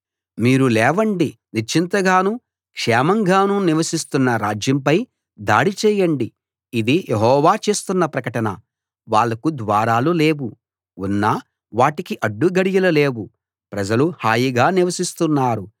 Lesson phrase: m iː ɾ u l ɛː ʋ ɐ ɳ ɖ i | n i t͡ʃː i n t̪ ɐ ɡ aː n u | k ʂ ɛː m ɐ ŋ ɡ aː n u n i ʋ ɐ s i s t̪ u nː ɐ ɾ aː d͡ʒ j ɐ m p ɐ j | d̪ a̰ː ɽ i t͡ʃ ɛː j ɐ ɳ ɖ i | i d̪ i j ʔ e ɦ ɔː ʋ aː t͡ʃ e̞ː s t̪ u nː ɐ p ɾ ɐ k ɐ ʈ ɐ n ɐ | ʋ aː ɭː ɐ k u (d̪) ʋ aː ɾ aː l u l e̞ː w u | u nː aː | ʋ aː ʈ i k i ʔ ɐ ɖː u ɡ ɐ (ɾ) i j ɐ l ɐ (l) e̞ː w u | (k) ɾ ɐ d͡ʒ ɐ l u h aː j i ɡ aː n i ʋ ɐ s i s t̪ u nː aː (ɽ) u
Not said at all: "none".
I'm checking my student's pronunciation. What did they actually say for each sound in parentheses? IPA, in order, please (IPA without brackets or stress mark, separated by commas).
d̪, ɽ, l, p, ɾ